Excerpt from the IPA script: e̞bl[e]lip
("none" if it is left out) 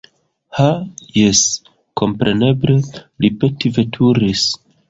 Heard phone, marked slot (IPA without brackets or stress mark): e